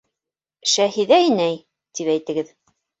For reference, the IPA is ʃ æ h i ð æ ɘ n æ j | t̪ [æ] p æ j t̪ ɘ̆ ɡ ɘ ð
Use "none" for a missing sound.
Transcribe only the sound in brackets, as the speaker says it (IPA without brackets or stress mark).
i